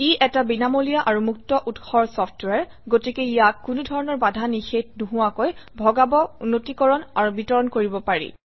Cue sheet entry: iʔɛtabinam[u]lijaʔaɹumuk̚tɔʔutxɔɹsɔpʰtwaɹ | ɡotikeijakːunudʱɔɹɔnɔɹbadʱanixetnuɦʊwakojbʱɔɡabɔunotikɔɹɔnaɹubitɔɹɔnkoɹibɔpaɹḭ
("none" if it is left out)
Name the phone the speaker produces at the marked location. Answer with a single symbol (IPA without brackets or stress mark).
o